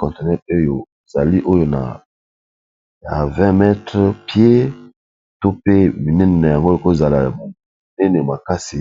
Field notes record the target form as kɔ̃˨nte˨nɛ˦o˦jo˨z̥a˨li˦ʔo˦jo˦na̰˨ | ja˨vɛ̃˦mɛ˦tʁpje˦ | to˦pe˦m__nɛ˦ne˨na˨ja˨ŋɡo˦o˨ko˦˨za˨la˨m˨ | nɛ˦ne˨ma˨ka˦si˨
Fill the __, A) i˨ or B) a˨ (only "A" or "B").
A